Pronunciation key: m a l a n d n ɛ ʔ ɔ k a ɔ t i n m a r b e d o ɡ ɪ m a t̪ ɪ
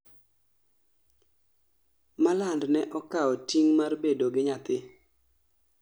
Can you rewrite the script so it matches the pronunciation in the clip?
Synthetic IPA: m a l a n d n ɛ ʔ ɔ k a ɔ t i ŋ m a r b e d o ɡ ɪ ɲ a t̪ ɪ